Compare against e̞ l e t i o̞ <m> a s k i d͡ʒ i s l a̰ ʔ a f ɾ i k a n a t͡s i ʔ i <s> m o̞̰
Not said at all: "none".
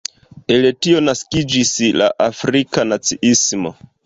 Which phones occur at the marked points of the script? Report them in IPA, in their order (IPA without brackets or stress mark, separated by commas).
n, s